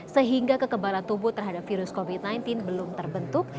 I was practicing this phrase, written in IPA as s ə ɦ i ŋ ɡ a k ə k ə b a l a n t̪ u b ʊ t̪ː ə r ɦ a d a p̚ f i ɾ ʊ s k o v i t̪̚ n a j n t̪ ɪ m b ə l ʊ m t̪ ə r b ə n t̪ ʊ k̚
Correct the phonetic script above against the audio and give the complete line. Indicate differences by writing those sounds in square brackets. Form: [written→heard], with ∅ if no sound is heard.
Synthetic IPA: s ə ɦ i ŋ ɡ a k ə k ə b a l a n t̪ u b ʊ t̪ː ə r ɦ a d a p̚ f i ɾ ʊ s k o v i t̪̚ n a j n t̪ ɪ [m→n] b ə l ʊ m t̪ ə r b ə n t̪ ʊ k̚